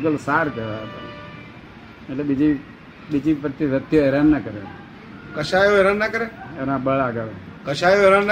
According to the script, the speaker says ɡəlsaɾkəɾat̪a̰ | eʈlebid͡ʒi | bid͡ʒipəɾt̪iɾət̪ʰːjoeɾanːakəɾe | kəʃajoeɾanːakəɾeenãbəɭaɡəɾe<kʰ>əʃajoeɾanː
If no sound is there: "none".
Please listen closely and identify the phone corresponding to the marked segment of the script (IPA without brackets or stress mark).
k